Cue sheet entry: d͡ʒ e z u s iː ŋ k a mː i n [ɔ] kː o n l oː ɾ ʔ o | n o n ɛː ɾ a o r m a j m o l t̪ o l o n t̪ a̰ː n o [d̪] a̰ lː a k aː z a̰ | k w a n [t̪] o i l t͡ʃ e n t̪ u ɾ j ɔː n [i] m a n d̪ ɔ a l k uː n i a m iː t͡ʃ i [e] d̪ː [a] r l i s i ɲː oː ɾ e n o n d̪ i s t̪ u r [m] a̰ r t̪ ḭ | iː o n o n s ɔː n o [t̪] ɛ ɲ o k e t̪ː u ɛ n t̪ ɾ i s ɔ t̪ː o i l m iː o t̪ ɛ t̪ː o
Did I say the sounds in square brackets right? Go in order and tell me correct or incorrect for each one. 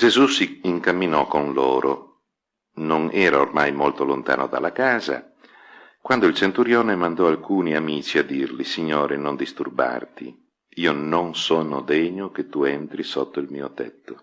correct, correct, incorrect: d̪, incorrect: e, incorrect: a, incorrect: i, incorrect: b, incorrect: d̪

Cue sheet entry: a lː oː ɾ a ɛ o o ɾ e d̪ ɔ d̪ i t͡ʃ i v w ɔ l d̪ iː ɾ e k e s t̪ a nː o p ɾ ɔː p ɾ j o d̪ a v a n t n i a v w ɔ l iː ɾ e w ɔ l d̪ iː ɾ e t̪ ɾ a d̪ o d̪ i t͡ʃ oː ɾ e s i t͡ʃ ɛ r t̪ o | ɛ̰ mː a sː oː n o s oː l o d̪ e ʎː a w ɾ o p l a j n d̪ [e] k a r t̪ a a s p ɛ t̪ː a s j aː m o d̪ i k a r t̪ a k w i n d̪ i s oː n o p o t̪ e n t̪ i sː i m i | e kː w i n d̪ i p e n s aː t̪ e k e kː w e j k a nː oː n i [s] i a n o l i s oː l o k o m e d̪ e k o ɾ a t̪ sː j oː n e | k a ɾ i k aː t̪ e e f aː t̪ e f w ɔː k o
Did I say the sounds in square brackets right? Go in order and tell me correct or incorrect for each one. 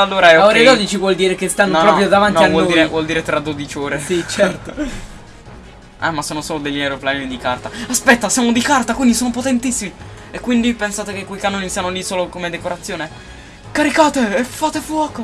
incorrect: i, correct

